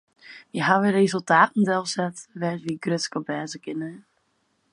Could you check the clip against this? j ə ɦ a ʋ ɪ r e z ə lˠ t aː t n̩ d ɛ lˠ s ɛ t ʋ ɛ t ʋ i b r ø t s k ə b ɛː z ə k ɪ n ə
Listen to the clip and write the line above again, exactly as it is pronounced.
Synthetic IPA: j ə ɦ a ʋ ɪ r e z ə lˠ t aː t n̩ d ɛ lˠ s ɛ t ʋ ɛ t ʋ i ɡ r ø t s k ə b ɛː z ə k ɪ n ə